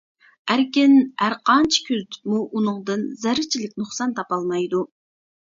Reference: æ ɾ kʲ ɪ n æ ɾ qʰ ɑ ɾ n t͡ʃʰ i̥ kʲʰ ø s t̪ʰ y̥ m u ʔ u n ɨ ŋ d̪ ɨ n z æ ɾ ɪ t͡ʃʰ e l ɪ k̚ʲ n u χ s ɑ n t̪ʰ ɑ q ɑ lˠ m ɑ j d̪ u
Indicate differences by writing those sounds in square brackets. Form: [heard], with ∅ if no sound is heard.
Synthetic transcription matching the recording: æ ɾ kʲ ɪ n æ ɾ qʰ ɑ [∅] n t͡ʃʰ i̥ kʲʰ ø [z] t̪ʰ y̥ m u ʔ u n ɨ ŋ d̪ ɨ n z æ ɾ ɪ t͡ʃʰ [i] l ɪ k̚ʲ n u χ s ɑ n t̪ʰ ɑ [p] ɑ lˠ m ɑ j d̪ u